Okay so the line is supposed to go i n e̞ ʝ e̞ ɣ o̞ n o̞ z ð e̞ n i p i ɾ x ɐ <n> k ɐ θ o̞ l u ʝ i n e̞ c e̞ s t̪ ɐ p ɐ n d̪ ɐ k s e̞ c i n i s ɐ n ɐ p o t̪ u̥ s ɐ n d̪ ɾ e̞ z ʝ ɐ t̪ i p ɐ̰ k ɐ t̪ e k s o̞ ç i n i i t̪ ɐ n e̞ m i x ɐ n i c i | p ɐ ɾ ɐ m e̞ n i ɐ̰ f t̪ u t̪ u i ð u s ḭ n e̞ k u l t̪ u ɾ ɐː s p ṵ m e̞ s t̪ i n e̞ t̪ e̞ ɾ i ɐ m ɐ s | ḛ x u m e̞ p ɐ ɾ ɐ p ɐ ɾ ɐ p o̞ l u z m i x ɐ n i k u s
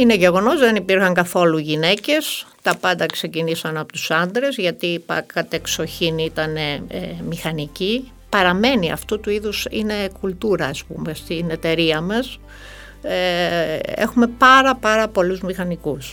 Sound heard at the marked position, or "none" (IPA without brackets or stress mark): ŋ